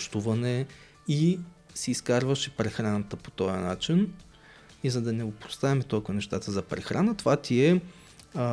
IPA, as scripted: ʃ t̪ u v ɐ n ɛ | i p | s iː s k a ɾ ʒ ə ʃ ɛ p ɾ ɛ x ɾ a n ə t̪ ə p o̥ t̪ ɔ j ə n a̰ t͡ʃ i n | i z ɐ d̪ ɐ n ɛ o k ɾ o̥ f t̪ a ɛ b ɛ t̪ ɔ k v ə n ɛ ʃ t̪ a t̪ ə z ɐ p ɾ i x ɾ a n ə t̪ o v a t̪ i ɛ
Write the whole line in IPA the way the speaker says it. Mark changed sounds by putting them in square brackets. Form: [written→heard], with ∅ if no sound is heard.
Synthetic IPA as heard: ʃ t̪ u v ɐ n ɛ | i [p→∅] | s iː s k a ɾ [ʒ→v] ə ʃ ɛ p ɾ ɛ x ɾ a n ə t̪ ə p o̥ t̪ ɔ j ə n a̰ t͡ʃ i n | i z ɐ d̪ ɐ n ɛ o [k→p] ɾ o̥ [f→s] t̪ a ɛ [b→m] ɛ t̪ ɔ k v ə n ɛ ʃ t̪ a t̪ ə z ɐ p ɾ [i→ɛ] x ɾ a n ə t̪ o v a t̪ i ɛ